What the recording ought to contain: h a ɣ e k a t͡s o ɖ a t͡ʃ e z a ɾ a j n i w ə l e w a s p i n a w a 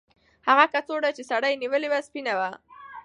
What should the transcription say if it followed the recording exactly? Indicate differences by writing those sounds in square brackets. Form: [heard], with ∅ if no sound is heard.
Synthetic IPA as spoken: h a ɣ [a] k a t͡s o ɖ a t͡ʃ e [s] a [ɽ] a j n i w ə l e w a s p i n a w a